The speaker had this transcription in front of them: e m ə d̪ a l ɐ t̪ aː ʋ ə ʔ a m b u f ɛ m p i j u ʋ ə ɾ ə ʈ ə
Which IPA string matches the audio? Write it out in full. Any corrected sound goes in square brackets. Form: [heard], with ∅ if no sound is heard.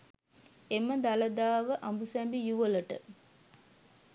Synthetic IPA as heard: e m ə d̪ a l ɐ [d̪] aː ʋ ə ʔ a m b u [s] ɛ m [b] i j u ʋ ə [l] ə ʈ ə